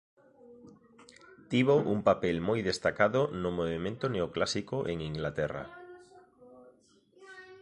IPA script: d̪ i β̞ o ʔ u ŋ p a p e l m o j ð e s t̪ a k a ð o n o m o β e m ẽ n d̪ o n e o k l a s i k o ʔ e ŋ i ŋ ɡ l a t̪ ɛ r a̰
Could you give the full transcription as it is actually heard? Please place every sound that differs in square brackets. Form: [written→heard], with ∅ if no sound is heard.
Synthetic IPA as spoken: [d̪→t̪] i β̞ o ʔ u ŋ p a p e l m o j ð e s t̪ a k a ð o n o m o β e m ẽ n [d̪→t̪] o n e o k l a s i k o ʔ e ŋ i ŋ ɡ l a t̪ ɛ r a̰